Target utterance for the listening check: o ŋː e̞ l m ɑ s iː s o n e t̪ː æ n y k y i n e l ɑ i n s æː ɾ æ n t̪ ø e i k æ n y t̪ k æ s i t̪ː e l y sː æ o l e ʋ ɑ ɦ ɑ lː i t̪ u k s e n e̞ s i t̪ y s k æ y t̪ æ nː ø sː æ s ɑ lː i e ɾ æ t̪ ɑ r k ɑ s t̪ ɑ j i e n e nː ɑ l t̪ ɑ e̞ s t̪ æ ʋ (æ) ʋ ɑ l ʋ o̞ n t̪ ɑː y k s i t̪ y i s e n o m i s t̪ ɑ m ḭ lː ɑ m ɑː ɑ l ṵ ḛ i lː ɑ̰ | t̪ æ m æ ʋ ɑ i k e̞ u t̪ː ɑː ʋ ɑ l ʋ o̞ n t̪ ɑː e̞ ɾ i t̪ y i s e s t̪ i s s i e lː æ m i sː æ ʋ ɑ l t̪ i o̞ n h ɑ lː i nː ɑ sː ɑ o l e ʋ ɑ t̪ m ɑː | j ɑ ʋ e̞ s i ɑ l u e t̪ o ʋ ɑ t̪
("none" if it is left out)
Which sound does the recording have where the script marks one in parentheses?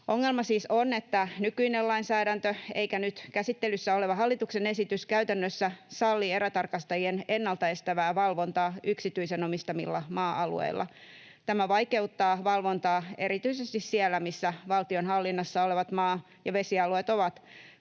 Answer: æː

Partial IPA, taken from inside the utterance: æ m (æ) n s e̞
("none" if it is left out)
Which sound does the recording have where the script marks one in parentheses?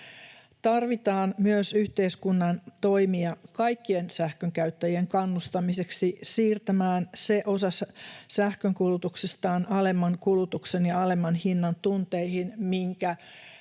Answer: æː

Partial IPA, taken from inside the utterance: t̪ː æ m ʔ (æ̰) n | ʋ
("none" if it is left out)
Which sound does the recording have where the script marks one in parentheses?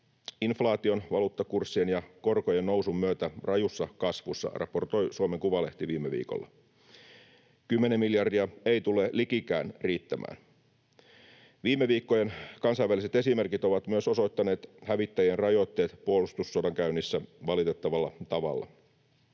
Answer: æ̰ː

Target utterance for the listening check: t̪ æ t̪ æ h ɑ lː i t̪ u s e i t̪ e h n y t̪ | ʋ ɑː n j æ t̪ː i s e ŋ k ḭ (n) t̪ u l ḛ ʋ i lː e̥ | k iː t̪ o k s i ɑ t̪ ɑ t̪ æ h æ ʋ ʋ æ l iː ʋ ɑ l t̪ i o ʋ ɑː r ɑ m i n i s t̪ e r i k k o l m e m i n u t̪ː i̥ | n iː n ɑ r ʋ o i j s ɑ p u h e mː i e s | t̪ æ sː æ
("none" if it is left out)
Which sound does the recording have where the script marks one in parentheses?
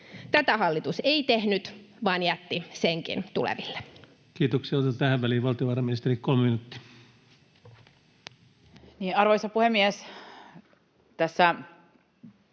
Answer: n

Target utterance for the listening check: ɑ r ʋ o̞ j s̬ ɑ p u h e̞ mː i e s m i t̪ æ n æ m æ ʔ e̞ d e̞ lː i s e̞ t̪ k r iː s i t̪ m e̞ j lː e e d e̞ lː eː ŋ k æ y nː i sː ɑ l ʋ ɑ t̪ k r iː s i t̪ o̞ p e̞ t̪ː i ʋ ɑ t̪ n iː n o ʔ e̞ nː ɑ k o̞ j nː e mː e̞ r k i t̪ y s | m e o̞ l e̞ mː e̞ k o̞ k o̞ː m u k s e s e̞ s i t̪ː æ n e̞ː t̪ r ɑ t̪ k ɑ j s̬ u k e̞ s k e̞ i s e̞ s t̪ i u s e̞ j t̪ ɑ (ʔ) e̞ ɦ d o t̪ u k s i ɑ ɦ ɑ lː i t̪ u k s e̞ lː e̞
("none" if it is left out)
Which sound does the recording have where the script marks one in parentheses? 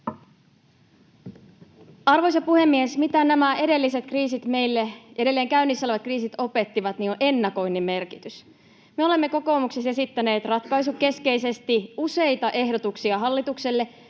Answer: ʔ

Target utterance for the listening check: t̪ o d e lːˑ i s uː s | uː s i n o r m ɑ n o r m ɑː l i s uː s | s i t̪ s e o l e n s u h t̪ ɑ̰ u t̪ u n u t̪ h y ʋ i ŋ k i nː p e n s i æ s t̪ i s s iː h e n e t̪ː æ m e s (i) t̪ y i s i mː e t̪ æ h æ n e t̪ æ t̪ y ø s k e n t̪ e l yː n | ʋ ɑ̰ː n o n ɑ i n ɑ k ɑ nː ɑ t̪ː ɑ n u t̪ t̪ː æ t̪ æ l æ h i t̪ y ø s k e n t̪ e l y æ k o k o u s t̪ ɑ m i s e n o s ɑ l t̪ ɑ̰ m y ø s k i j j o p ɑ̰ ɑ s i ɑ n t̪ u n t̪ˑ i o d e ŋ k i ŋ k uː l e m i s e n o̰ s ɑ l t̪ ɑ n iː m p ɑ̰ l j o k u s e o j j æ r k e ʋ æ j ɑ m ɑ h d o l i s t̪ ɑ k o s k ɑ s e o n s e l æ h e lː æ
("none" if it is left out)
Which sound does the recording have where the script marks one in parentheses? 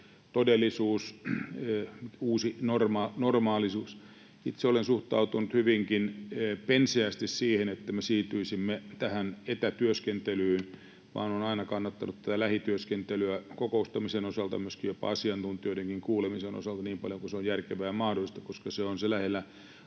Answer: iː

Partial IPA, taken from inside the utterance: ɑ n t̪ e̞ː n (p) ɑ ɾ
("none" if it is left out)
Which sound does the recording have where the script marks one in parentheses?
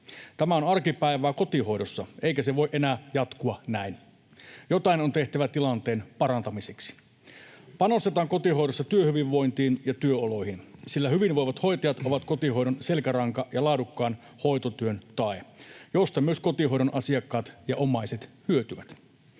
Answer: p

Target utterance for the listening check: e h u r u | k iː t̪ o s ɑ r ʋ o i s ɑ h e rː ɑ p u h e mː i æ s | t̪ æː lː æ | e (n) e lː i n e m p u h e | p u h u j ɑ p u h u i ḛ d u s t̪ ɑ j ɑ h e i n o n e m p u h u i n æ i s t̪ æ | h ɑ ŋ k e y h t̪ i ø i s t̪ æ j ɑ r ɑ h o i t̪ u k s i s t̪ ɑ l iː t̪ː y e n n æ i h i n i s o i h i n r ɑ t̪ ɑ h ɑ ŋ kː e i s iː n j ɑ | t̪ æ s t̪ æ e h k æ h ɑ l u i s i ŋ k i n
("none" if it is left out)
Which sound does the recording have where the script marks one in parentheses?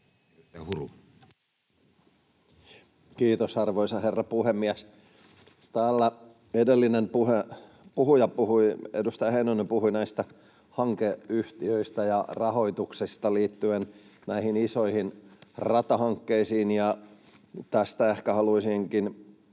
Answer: d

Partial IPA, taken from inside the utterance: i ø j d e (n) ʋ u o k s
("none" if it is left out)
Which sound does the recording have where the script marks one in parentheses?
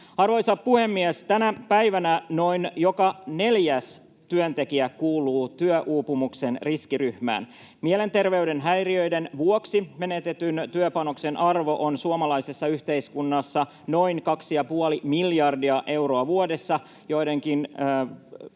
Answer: n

